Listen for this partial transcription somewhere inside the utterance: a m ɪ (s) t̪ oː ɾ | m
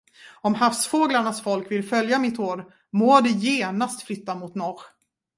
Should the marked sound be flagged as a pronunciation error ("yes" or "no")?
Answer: yes